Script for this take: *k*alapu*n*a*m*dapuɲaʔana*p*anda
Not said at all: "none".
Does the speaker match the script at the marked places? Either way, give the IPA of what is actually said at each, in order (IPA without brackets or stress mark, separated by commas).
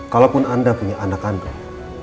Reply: k, n, n, k